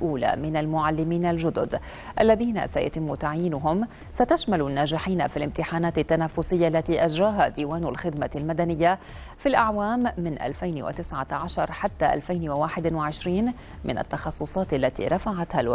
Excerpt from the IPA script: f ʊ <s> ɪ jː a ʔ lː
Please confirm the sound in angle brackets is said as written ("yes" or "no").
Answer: yes